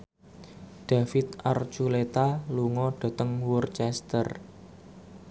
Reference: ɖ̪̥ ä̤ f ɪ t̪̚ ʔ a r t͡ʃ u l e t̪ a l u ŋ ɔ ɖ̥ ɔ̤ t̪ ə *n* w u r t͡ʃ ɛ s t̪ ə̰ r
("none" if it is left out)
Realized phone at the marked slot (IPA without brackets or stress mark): ŋ